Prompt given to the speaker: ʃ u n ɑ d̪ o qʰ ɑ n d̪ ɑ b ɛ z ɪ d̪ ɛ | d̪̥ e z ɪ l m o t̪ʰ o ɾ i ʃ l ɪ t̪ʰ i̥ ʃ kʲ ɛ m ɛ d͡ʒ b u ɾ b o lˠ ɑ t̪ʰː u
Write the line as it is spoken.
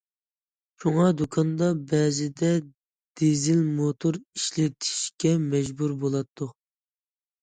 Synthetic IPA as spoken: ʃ u ŋ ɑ d̪ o kʰ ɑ n d̪ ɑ b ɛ z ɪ d̪ ɛ | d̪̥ e z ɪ l m o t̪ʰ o ɾ i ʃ l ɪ t̪ʰ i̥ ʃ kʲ ɛ m ɛ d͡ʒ b u ɾ b o lˠ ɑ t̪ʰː u

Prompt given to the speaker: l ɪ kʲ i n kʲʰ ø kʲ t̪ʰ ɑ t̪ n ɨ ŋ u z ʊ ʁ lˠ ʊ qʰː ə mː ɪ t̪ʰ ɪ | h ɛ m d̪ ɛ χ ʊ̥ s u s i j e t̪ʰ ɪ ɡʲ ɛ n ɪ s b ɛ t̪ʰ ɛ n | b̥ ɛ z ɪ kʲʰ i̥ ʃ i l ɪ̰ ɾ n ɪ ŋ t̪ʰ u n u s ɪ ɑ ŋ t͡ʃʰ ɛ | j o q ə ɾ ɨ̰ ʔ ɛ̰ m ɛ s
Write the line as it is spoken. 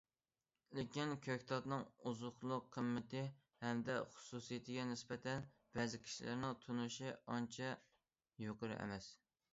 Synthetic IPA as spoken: l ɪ kʲ i n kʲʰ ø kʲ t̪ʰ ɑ t̪ n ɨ ŋ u z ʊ χ lˠ ʊ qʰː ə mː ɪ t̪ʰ ɪ | h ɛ m d̪ ɛ χ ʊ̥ s u s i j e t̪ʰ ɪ ɡʲ ɛ n ɪ s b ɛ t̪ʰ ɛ n | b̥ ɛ z ɪ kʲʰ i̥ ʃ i l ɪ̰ ɾ n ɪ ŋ t̪ʰ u n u ʃ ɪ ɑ n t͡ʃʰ ɛ | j o q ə ɾ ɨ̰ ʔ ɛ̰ m ɛ s

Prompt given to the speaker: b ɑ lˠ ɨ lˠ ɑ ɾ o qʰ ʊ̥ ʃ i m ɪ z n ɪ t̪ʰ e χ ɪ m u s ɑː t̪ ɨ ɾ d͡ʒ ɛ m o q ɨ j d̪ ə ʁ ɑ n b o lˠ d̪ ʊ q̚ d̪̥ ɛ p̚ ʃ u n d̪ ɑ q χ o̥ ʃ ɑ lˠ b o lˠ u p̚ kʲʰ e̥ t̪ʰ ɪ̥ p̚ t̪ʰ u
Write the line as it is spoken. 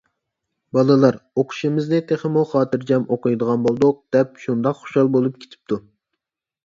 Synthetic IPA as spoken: b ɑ lˠ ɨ lˠ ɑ ɾ o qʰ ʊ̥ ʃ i m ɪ z n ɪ t̪ʰ e χ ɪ m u χ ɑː t̪ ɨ ɾ d͡ʒ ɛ m o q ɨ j d̪ ə ʁ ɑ n b o lˠ d̪ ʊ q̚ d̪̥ ɛ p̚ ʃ u n d̪ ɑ q χ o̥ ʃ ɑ lˠ b o lˠ u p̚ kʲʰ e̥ t̪ʰ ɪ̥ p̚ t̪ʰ u

